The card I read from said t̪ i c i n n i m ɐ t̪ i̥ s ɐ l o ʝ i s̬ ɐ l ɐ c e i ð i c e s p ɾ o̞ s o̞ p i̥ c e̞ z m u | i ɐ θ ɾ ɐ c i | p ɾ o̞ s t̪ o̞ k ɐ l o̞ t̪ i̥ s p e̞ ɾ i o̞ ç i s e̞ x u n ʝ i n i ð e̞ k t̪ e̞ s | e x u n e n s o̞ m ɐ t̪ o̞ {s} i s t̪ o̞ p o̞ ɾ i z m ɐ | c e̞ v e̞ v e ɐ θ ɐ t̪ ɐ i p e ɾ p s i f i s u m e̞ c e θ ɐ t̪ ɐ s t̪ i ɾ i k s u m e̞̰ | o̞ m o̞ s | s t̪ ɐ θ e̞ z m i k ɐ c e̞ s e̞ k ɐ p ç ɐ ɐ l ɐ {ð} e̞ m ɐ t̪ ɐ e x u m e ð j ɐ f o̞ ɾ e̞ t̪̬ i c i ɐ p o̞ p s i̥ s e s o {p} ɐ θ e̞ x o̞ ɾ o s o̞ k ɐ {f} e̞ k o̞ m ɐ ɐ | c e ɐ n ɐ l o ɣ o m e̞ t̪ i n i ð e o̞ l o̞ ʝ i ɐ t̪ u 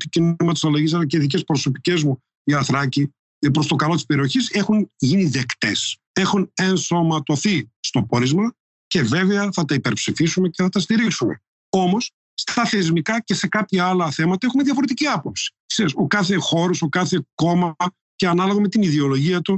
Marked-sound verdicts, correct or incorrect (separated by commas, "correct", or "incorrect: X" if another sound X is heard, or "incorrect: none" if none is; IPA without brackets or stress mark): incorrect: θ, incorrect: θ, incorrect: k, incorrect: θ